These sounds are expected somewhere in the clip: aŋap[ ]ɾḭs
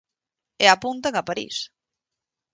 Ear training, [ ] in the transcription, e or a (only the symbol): a